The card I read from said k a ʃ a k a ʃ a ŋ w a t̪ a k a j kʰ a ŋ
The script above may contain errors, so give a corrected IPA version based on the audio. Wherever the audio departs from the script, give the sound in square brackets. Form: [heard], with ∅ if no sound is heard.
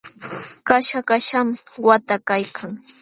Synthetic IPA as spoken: k a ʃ a k a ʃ a [m] w a t̪ a k a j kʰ a ŋ

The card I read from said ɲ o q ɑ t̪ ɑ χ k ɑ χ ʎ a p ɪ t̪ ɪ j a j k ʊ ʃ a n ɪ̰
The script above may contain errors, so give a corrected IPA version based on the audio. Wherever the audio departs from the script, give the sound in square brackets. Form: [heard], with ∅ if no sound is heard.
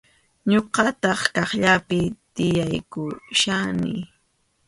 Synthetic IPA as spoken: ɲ o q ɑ t̪ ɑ χ k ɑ χ ʎ a p ɪ t̪ ɪ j a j k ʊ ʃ a n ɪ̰

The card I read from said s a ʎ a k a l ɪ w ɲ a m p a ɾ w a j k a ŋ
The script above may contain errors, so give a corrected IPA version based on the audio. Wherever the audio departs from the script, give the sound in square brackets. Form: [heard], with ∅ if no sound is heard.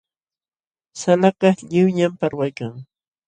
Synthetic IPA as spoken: s a [l] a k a [ʎ] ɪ w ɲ a m p a ɾ w a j k a ŋ

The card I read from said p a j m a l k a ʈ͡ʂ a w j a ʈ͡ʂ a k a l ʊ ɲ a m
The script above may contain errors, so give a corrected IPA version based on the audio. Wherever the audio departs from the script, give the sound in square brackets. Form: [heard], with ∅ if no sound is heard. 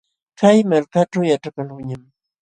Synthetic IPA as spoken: [k] a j m a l k a ʈ͡ʂ a w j a ʈ͡ʂ a k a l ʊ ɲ a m

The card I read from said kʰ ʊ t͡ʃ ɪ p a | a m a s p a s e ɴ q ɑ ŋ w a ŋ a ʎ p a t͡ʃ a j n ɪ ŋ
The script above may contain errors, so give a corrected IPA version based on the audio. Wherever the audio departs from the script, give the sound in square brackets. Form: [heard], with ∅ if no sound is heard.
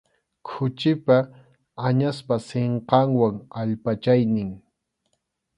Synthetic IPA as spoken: kʰ ʊ t͡ʃ ɪ p a | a [ɲ] a s p a s e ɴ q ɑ ŋ w a ŋ a ʎ p a t͡ʃ a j n ɪ ŋ

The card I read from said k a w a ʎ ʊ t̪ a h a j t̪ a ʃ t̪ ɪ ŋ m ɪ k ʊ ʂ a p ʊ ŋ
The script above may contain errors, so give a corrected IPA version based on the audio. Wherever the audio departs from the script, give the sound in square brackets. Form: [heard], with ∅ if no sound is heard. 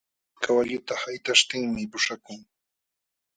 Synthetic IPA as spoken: k a w a ʎ ʊ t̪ a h a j t̪ a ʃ t̪ ɪ ŋ m ɪ [p] ʊ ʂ a [k] ʊ ŋ

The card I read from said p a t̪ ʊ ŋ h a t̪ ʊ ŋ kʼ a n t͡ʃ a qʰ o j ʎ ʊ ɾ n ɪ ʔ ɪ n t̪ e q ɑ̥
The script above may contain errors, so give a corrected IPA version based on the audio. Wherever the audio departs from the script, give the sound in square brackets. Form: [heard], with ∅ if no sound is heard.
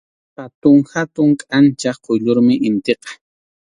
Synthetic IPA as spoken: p a t̪ ʊ ŋ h a t̪ ʊ ŋ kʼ a n t͡ʃ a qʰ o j ʎ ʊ ɾ [m] ɪ ʔ ɪ n t̪ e q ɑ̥

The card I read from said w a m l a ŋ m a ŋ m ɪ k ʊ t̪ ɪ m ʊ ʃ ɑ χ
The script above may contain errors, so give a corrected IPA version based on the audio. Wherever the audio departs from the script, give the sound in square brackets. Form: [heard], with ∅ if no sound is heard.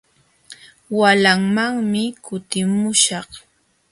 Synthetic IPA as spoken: w a [∅] l a ŋ m a ŋ m ɪ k ʊ t̪ ɪ m ʊ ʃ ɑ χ

